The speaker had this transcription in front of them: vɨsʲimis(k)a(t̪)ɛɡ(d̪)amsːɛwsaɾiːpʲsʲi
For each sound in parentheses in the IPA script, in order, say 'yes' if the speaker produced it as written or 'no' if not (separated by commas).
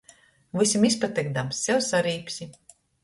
no, yes, yes